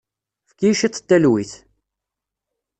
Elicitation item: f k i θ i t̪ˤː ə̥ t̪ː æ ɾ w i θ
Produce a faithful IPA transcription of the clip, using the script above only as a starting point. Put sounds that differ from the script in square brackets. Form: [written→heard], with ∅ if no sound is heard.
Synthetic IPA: f k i [θ→ʃ] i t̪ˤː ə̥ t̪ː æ [ɾ→l] w i θ